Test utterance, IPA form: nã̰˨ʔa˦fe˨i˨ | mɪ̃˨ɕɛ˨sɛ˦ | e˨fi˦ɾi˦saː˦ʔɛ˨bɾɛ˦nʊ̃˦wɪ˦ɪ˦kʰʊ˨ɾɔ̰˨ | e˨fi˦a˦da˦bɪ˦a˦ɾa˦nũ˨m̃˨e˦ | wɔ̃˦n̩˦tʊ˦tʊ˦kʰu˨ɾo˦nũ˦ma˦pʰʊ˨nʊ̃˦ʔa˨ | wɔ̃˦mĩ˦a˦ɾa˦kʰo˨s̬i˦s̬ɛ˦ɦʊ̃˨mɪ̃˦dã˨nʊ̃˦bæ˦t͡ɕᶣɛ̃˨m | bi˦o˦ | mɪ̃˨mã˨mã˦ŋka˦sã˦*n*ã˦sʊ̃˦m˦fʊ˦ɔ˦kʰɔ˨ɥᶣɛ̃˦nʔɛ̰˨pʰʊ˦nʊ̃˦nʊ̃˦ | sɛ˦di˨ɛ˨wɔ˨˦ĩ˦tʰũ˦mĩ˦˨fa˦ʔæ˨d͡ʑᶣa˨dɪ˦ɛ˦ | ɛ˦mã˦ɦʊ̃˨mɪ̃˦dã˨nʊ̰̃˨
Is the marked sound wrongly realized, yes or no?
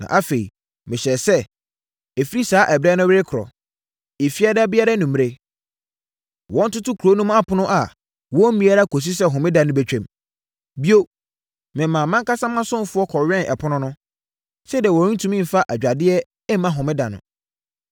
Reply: yes